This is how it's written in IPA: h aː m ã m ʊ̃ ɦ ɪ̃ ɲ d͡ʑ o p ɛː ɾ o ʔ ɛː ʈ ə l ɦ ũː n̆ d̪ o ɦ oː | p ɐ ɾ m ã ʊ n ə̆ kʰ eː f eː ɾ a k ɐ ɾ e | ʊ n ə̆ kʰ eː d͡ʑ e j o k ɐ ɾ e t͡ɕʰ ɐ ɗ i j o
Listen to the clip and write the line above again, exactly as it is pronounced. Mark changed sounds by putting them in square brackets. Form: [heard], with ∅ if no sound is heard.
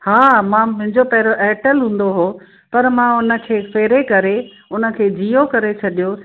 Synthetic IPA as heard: h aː m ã m ʊ̃ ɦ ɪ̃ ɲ d͡ʑ o p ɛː ɾ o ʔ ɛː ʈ ə l ɦ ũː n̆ d̪ o ɦ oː | p ɐ ɾ m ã ʊ n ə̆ kʰ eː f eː ɾ [e] k ɐ ɾ e | ʊ n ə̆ kʰ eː d͡ʑ [i] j o k ɐ ɾ e t͡ɕʰ ɐ ɗ i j o